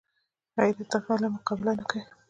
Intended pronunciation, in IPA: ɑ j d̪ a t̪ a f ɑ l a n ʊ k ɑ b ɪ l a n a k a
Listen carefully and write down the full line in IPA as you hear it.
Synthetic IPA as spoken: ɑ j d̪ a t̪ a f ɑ l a m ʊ q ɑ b ɪ l a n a k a